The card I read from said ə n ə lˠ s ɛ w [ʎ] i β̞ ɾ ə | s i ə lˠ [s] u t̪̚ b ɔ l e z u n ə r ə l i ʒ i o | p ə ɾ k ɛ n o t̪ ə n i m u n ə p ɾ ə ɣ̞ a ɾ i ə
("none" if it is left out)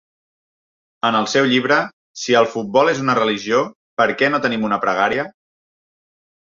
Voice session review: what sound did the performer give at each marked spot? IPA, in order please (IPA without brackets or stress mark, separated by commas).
ʎ, f